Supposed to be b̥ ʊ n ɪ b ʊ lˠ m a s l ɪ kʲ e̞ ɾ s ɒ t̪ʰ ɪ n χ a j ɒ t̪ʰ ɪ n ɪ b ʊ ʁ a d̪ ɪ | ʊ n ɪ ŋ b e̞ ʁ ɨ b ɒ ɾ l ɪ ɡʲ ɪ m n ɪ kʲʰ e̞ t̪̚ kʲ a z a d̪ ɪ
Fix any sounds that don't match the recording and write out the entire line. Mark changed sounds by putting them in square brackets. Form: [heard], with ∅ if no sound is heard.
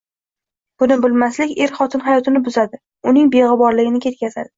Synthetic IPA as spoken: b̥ ʊ n ɪ b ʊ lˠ m a s l ɪ kʲ e̞ ɾ [χ] ɒ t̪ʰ ɪ n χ a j ɒ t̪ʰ ɪ n ɪ b ʊ [z] a d̪ ɪ | ʊ n ɪ ŋ b e̞ ʁ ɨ b ɒ ɾ l ɪ ɡʲ ɪ [∅] n ɪ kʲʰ e̞ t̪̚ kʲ a z a d̪ ɪ